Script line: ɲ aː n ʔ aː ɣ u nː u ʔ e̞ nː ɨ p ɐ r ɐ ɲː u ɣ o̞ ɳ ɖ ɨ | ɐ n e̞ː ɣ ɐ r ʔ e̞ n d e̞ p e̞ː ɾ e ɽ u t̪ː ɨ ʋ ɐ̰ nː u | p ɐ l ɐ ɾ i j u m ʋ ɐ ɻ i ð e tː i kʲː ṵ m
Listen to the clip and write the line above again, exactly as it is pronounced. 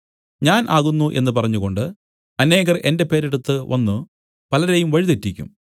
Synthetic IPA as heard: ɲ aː n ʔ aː ɣ u nː u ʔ e̞ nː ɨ p ɐ r ɐ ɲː u ɣ o̞ ɳ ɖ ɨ | ɐ n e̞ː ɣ ɐ r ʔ e̞ n d e̞ p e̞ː ɾ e ɽ u t̪ː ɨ ʋ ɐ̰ nː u | p ɐ l ɐ ɾ e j u m ʋ ɐ ɻ i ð e tː i kʲː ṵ m